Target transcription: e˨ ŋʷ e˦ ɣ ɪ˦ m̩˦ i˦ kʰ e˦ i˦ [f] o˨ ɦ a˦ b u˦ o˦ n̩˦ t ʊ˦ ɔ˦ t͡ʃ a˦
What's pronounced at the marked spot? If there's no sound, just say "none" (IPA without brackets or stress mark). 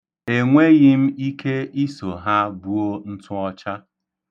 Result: s